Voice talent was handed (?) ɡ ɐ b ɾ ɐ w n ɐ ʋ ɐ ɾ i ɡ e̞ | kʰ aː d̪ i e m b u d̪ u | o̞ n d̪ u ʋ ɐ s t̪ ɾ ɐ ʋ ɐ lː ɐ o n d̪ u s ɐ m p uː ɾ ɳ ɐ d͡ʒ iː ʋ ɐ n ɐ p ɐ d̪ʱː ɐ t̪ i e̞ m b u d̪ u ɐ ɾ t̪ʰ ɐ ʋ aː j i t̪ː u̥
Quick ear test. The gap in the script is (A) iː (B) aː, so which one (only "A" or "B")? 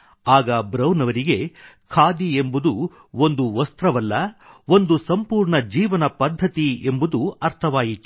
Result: B